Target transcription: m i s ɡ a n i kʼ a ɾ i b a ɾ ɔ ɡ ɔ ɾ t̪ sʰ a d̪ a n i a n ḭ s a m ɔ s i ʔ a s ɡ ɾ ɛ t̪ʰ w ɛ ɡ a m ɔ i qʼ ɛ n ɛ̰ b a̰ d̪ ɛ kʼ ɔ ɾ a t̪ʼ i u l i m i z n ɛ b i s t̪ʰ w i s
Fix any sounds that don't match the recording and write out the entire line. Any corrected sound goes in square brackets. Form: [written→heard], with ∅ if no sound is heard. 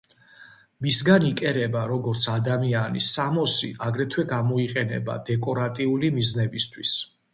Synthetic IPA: m i s ɡ a n i kʼ [a→ɛ] ɾ [i→ɛ] b a ɾ ɔ ɡ ɔ ɾ t̪ sʰ a d̪ a [n→m] i a n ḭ s a m ɔ s i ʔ a [s→∅] ɡ ɾ ɛ t̪ʰ w ɛ ɡ a m ɔ i qʼ ɛ n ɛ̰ b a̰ d̪ ɛ kʼ ɔ ɾ a t̪ʼ i u l i m i z n ɛ b i s t̪ʰ w i s